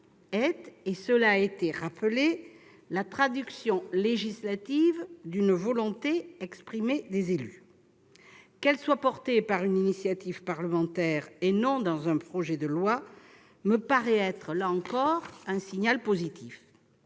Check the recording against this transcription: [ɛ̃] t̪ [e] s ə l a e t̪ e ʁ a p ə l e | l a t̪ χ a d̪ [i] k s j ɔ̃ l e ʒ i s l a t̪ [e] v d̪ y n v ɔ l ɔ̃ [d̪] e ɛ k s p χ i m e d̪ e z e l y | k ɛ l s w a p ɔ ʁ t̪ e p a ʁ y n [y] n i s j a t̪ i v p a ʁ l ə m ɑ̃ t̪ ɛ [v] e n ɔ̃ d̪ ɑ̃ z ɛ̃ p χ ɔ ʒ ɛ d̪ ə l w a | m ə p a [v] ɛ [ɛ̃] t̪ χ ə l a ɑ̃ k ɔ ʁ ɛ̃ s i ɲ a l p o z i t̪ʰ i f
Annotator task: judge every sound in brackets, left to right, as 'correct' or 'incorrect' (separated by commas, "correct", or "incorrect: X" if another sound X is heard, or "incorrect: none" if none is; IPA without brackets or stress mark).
incorrect: ɛ, correct, incorrect: y, incorrect: i, incorrect: t̪, incorrect: i, incorrect: ʁ, incorrect: ʁ, incorrect: ɛ